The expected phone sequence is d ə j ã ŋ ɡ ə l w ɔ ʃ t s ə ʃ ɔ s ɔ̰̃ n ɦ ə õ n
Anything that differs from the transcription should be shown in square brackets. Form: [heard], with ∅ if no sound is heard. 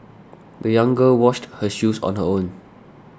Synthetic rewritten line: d ə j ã ŋ ɡ ə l w ɔ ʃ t [h] ə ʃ [u] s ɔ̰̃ n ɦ ə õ n